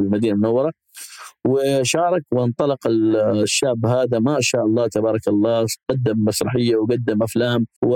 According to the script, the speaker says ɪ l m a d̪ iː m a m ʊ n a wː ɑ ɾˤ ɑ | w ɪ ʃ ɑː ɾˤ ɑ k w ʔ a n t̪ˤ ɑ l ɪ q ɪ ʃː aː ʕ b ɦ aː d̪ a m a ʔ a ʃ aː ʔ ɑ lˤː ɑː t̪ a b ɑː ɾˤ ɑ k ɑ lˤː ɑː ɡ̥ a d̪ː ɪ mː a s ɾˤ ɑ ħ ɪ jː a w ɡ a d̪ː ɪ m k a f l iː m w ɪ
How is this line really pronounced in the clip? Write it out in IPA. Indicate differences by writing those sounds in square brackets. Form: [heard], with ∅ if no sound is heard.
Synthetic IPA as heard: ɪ l m a d̪ iː [n] a m ʊ n a wː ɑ ɾˤ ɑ | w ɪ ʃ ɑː ɾˤ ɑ k w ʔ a n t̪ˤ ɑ l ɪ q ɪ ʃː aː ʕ b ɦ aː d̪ a m a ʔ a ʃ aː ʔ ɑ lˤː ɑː t̪ a b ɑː ɾˤ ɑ k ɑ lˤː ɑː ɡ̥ a d̪ː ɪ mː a s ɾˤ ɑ ħ ɪ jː a w ɡ a d̪ː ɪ m [ʔ] a f l [aː] m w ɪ